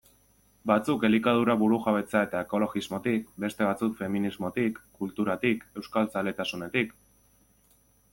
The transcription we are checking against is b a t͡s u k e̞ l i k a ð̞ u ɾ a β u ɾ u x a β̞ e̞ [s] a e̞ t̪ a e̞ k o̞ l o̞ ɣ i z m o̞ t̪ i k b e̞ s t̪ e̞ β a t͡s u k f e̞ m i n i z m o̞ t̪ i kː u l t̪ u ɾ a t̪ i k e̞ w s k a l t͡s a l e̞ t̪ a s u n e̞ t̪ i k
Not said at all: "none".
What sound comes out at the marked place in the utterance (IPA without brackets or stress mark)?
t͡s